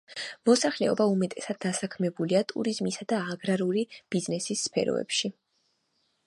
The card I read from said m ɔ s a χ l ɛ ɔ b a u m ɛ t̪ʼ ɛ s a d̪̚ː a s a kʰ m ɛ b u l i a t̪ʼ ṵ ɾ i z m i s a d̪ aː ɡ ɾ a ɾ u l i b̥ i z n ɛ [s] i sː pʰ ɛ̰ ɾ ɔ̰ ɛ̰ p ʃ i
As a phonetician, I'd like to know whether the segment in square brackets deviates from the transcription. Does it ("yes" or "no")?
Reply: no